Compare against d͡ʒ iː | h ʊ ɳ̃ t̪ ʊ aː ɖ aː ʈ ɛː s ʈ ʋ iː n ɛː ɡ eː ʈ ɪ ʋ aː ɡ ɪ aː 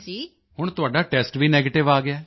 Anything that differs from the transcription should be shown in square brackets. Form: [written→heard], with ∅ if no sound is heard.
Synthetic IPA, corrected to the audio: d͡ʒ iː | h ʊ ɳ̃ t̪ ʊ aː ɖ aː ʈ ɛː s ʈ ʋ iː n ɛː ɡ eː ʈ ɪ ʋ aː ɡ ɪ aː